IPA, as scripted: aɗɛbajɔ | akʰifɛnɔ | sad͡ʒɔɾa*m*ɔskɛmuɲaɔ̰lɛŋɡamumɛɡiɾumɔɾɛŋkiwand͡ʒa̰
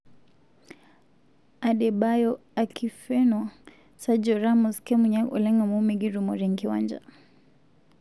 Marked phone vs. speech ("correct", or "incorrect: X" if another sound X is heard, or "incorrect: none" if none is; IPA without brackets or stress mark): correct